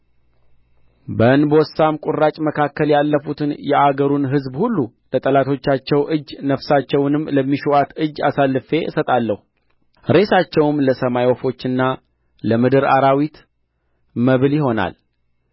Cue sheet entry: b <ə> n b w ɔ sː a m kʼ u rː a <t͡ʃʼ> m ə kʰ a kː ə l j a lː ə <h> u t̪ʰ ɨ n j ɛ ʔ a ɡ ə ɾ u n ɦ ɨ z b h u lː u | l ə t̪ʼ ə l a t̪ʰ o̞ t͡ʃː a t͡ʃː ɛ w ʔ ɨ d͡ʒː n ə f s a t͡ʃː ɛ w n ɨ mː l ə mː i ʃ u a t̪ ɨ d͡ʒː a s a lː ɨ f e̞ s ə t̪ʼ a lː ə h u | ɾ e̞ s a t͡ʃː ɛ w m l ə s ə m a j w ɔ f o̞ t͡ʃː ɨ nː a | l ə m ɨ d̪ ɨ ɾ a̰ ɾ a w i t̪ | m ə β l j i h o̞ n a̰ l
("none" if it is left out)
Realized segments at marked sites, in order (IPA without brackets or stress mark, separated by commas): ə, t͡ʃʼ, f